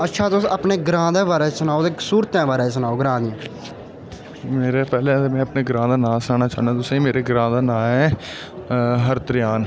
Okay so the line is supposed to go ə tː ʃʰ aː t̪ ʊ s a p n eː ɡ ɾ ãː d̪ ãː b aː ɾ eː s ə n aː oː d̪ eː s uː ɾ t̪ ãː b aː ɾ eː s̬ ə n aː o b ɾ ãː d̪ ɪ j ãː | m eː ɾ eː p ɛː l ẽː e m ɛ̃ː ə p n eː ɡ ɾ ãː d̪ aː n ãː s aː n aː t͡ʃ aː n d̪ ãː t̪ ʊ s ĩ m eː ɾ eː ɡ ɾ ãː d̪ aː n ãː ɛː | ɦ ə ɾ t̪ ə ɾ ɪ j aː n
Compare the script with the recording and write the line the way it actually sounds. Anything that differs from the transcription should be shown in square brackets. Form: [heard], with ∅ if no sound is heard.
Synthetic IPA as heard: ə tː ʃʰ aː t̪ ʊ s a p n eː ɡ ɾ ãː d̪ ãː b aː ɾ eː s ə n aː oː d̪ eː s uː ɾ t̪ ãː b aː ɾ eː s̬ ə n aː o [ɡ] ɾ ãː d̪ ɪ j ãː | m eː ɾ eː p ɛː l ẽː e m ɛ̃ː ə p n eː ɡ ɾ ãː d̪ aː n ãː s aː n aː t͡ʃ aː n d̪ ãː t̪ ʊ s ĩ m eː ɾ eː ɡ ɾ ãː d̪ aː n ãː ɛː | ɦ ə ɾ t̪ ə ɾ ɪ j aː n